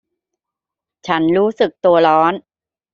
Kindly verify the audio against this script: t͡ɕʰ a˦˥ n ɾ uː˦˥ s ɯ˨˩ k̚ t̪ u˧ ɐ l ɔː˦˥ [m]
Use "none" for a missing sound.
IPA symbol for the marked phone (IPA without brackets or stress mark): n